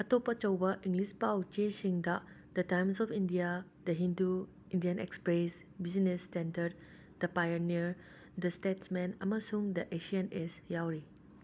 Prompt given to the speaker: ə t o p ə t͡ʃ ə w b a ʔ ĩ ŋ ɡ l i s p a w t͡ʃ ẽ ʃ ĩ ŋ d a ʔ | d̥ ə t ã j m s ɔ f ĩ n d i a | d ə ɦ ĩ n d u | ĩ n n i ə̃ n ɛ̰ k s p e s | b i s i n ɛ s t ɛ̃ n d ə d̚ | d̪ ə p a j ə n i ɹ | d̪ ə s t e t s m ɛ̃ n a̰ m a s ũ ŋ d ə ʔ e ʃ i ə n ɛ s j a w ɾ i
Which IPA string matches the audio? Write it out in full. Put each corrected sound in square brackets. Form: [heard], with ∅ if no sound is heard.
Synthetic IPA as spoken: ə t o p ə t͡ʃ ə w b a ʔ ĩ ŋ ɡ l i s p a w t͡ʃ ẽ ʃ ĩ ŋ d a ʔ | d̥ ə t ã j m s ɔ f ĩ n d i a | d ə ɦ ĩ n d u | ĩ n [d] i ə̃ n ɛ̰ k s p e s | b i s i n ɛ s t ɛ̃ n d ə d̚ | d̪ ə p a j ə n i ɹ | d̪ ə s t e t s m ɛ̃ n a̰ m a s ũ ŋ d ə ʔ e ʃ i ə n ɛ s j a w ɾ i